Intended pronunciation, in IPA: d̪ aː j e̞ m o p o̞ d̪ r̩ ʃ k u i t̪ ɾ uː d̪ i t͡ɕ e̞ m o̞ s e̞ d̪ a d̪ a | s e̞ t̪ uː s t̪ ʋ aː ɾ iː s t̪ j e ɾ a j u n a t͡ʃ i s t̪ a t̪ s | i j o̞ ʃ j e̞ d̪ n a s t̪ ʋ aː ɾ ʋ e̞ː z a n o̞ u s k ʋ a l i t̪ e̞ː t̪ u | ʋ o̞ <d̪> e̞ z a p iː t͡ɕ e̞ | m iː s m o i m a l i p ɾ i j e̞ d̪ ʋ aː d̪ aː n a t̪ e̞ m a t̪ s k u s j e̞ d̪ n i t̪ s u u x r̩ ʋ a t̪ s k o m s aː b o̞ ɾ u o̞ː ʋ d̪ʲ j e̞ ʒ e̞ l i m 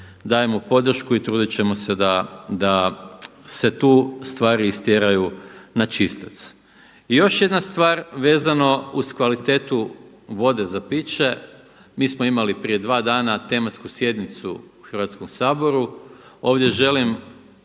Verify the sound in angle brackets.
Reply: correct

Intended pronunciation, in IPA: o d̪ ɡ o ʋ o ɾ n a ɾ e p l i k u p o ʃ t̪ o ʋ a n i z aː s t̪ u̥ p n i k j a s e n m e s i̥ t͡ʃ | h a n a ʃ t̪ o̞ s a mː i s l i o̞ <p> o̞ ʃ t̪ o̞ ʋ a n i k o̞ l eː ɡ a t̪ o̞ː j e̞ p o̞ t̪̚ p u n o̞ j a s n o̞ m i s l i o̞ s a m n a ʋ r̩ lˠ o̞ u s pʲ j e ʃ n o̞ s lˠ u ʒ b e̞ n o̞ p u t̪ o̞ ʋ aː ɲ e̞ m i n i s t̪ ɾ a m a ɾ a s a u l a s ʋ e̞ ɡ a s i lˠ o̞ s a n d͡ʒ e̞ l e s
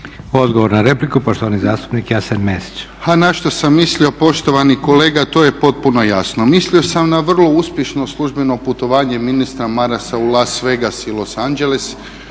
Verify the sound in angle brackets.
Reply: correct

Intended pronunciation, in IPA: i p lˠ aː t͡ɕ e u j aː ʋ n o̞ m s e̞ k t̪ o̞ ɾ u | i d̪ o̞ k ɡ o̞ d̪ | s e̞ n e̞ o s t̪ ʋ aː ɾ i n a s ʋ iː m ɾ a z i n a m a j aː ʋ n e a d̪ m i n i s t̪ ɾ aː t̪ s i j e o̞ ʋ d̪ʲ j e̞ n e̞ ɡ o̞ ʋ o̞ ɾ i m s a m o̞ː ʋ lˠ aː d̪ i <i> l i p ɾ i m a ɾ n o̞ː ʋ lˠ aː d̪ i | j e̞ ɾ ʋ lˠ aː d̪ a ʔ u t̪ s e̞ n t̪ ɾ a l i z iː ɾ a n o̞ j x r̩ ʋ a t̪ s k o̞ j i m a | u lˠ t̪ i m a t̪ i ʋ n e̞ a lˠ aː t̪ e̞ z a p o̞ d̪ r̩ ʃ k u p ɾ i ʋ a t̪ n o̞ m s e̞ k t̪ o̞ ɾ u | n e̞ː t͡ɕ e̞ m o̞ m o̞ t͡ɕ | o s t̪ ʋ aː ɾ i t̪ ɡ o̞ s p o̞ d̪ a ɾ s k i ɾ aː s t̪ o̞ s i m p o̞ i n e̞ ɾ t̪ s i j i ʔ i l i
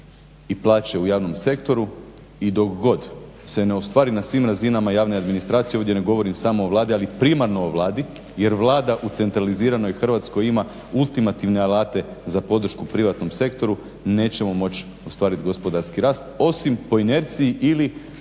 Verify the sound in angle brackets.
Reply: incorrect: a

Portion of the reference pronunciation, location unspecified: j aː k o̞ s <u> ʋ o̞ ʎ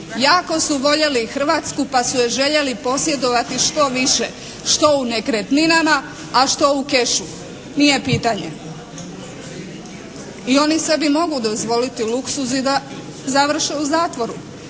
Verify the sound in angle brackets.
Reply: correct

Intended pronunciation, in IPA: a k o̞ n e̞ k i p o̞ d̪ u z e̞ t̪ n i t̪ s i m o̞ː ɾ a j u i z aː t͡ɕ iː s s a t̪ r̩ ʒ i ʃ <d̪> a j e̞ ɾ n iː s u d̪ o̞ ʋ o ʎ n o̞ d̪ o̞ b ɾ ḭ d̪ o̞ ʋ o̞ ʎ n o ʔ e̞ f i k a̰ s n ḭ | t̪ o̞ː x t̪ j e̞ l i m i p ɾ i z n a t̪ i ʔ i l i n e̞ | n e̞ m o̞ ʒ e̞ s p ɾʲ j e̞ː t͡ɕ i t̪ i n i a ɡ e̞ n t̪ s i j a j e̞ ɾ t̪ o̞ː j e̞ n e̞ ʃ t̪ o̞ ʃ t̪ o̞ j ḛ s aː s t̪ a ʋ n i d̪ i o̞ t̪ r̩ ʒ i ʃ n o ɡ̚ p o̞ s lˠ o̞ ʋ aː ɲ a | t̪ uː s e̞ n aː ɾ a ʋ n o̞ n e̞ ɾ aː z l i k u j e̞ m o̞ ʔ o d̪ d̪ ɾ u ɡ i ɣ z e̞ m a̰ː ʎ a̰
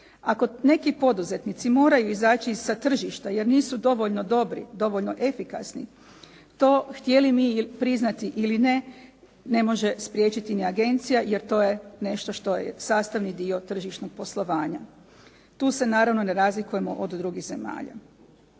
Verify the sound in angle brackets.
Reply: incorrect: t̪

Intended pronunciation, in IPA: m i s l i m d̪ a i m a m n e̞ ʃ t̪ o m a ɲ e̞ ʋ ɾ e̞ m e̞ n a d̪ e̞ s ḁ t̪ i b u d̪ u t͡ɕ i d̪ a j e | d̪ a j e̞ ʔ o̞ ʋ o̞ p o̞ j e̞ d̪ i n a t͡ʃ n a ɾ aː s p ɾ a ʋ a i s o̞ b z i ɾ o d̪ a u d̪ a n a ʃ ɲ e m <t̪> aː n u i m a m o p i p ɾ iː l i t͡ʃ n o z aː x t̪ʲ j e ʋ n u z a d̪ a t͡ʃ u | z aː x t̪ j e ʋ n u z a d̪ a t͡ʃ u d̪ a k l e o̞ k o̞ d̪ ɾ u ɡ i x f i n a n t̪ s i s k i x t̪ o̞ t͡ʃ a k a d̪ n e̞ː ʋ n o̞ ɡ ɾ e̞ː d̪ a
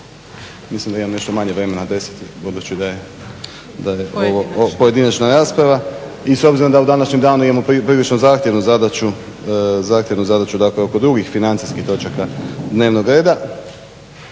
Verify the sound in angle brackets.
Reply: incorrect: d̪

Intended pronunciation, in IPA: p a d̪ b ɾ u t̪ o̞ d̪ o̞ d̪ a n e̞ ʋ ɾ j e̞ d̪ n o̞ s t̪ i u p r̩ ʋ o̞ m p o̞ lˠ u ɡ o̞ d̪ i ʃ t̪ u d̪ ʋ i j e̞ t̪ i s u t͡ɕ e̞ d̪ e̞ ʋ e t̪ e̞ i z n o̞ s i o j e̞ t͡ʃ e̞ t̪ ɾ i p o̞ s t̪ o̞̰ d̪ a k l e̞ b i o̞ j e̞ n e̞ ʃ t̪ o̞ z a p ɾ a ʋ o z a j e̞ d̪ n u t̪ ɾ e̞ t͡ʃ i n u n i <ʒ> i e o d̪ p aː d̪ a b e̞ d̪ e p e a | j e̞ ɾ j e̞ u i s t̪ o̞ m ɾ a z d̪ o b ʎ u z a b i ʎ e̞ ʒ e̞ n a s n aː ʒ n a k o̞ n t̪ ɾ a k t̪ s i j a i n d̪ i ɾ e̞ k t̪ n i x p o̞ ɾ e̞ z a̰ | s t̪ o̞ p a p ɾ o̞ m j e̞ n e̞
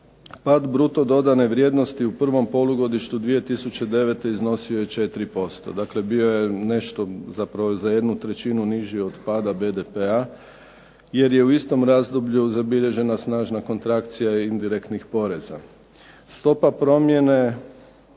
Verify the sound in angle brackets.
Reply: correct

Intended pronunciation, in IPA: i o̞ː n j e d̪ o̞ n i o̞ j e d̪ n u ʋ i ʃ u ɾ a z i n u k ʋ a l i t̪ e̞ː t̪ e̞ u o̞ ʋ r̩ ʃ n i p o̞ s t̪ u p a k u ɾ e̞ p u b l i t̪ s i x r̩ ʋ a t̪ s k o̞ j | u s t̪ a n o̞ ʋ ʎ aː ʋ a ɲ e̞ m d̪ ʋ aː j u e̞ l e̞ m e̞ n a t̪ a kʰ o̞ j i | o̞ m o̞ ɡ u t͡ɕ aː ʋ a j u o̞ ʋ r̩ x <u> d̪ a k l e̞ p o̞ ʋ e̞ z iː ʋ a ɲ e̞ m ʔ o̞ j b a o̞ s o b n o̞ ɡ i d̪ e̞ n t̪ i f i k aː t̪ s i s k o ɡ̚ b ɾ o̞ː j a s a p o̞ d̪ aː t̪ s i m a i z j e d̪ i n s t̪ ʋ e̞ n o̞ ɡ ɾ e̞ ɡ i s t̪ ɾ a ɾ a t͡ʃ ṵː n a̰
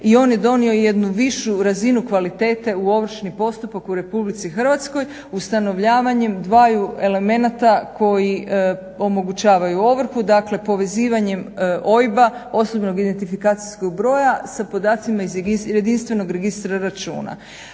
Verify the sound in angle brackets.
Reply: correct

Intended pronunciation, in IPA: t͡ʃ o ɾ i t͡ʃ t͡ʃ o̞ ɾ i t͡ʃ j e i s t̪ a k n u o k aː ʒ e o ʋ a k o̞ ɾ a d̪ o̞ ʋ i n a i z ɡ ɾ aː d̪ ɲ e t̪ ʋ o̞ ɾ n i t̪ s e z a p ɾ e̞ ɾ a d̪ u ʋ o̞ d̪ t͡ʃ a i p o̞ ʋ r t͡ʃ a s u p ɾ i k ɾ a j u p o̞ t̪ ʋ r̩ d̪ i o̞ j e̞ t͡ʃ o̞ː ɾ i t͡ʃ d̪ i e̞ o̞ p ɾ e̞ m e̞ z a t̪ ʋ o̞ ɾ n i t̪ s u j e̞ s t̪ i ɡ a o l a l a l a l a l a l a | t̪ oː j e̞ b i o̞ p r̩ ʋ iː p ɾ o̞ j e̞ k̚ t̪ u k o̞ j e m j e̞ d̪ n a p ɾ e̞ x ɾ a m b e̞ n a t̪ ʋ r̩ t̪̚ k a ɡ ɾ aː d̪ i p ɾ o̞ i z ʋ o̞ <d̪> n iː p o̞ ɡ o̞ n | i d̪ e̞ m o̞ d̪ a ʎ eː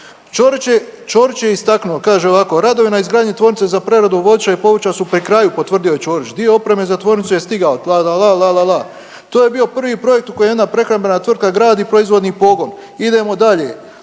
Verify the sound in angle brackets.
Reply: correct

